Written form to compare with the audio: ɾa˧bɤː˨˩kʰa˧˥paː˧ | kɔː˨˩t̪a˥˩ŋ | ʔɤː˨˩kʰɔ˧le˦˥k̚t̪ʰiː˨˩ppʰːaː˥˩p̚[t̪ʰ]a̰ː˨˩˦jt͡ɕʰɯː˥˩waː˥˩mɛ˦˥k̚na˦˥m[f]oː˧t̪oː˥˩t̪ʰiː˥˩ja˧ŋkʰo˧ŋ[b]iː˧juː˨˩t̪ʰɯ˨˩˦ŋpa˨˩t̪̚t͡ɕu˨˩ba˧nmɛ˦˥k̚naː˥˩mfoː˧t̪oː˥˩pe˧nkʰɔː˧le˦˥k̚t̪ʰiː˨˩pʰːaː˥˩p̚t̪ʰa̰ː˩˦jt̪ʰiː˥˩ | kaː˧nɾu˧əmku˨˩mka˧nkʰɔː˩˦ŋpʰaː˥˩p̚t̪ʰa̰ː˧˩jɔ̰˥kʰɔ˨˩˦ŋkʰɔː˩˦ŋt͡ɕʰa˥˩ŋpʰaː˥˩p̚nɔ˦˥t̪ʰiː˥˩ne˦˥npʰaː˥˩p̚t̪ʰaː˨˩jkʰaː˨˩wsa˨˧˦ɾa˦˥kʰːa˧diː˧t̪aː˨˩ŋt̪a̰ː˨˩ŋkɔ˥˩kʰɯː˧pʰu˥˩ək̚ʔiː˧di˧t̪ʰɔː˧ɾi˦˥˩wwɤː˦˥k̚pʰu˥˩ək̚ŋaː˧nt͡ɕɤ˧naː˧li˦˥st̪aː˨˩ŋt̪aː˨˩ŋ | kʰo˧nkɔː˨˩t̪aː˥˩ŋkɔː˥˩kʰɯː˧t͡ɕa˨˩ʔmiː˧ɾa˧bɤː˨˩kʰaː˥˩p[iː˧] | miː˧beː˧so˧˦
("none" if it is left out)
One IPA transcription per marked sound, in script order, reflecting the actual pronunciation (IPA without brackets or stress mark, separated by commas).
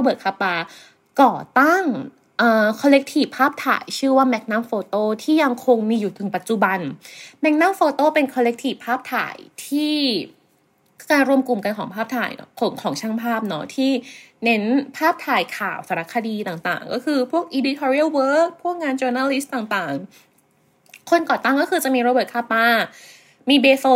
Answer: t̪ʰ, f, m, aː˧